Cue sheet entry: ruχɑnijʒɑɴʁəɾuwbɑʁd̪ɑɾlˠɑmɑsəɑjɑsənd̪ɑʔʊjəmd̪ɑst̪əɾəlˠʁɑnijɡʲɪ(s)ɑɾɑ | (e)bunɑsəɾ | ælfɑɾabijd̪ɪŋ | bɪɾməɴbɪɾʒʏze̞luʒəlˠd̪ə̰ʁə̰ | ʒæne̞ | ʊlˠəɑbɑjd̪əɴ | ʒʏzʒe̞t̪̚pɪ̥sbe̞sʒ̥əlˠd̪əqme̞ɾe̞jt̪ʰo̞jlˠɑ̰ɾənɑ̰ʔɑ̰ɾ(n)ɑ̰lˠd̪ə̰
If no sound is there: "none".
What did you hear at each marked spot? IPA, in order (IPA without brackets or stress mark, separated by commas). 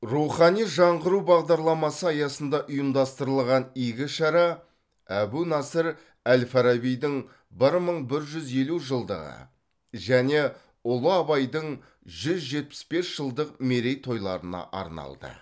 ʃ, æ, n